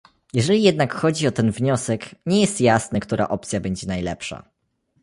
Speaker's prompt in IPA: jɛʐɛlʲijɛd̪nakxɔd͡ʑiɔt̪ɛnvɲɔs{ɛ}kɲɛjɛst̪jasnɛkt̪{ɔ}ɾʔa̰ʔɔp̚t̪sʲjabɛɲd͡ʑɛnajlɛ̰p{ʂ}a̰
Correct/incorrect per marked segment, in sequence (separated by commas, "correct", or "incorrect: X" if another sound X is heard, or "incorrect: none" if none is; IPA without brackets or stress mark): correct, incorrect: u, correct